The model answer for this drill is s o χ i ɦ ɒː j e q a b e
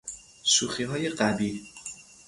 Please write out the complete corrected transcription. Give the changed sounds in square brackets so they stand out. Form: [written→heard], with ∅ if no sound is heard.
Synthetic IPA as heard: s [o→u] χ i ɦ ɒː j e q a b [e→i]